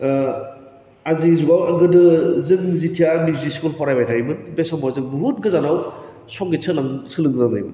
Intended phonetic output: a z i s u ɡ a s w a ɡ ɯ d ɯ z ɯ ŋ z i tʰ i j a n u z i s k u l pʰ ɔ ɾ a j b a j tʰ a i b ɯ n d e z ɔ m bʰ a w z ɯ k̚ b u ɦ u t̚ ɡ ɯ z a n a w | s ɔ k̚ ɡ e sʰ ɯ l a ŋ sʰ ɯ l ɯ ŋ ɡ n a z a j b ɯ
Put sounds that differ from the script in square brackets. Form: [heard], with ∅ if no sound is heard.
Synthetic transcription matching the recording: a z i [z] u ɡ a [∅] w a ɡ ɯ d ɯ z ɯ ŋ z i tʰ i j a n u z i s k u l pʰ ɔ ɾ a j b a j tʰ a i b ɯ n [b] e [s] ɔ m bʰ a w z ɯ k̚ b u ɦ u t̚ ɡ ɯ z a n a w | s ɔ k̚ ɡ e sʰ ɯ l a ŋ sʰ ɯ l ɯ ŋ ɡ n a z a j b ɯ